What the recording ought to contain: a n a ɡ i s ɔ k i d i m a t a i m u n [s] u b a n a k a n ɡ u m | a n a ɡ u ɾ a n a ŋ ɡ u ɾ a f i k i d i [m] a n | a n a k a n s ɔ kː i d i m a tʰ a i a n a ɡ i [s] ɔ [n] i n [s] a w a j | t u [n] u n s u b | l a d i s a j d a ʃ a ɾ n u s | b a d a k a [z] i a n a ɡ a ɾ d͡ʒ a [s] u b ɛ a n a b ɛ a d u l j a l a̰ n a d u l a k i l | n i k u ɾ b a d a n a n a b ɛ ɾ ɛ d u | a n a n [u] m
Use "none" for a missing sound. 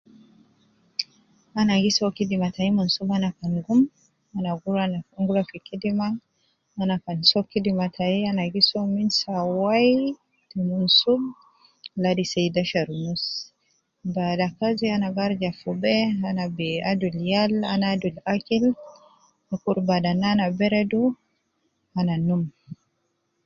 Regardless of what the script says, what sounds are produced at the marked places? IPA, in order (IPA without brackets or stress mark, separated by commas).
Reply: s, m, s, m, s, m, z, f, u